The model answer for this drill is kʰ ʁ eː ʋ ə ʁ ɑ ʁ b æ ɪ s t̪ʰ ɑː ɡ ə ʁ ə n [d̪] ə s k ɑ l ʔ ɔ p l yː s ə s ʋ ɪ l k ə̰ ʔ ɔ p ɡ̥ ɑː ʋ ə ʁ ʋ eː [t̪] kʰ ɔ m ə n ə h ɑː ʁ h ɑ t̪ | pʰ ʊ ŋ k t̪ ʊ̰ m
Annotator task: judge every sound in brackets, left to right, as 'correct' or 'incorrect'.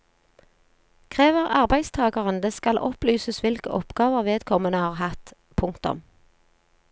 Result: correct, incorrect: d̪

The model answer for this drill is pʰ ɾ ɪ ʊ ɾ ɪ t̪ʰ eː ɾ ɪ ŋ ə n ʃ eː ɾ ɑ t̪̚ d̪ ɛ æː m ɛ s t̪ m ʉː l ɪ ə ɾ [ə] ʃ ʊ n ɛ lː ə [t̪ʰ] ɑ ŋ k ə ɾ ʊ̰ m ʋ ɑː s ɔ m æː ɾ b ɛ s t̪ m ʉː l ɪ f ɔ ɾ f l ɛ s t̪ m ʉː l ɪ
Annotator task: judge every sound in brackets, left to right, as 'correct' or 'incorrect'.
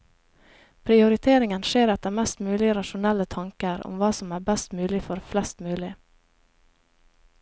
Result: incorrect: ɑ, correct

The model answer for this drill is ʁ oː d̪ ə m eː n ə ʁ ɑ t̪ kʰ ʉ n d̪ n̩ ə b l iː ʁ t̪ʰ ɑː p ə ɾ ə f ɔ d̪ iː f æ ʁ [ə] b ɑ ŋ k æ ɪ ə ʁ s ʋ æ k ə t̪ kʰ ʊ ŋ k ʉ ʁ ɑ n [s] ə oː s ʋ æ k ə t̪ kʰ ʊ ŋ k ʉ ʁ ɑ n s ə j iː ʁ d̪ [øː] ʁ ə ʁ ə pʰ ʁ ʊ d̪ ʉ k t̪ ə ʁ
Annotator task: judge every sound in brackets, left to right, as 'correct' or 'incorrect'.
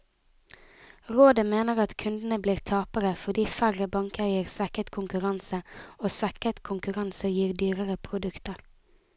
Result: correct, correct, incorrect: yː

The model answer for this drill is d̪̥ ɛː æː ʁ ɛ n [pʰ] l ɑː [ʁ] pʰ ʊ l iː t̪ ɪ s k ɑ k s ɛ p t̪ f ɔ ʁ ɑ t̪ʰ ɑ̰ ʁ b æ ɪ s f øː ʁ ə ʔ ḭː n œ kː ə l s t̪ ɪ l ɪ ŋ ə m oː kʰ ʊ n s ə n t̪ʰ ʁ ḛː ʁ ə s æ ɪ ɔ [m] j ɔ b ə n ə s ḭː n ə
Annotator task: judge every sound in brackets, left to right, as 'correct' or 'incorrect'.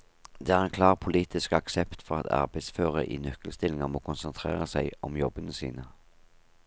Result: incorrect: kʰ, correct, correct

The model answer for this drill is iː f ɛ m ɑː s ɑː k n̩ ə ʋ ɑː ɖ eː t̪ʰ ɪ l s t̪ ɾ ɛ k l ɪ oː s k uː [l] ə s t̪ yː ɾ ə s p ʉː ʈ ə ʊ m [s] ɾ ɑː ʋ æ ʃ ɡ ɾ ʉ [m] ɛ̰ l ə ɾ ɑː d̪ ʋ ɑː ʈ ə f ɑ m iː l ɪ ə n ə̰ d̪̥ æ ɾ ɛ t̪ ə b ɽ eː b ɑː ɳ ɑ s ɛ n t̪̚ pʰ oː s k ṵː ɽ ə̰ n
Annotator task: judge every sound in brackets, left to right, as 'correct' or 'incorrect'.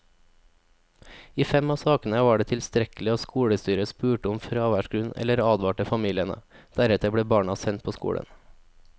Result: incorrect: ɽ, incorrect: f, incorrect: n

